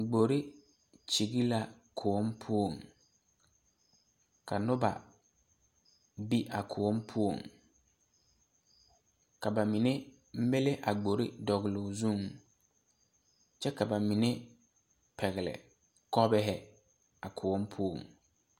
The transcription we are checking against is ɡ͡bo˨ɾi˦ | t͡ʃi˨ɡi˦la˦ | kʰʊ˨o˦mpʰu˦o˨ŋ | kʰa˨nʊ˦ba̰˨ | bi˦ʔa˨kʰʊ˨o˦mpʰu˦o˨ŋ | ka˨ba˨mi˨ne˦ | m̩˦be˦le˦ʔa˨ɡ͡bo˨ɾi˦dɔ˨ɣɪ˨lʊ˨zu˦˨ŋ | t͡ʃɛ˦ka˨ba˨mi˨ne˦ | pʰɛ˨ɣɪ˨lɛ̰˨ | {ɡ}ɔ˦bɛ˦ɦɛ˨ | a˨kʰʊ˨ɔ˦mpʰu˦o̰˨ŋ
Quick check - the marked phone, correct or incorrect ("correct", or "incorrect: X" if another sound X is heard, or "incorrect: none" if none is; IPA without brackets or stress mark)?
incorrect: k